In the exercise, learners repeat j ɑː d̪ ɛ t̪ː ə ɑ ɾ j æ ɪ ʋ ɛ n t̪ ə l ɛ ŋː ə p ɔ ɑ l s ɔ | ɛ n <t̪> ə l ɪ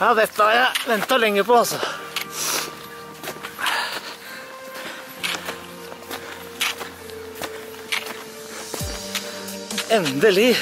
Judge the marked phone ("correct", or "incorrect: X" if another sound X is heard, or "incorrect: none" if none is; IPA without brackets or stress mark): incorrect: d̪